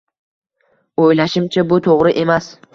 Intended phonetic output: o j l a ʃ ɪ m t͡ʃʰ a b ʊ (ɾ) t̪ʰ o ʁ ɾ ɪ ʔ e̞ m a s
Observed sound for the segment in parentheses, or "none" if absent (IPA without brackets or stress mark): none